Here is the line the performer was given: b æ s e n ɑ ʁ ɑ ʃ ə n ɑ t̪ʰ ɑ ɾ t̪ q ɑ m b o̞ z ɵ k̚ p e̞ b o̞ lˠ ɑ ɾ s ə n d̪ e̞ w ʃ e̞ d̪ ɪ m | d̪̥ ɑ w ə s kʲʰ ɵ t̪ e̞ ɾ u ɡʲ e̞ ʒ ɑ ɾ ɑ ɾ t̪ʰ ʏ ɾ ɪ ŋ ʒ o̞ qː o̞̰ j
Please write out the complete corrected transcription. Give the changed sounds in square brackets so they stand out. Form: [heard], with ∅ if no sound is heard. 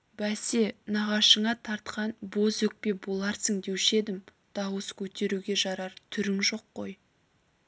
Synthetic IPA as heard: b æ s e n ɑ ʁ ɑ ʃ ə [ɴ] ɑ t̪ʰ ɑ ɾ t̪ q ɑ [n] b o̞ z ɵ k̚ p e̞ b o̞ lˠ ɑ ɾ s ə [ŋ] d̪ e̞ w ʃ e̞ d̪ ɪ m | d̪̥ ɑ w ə s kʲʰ ɵ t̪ e̞ ɾ u ɡʲ e̞ ʒ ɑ ɾ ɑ ɾ t̪ʰ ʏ ɾ ɪ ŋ ʒ o̞ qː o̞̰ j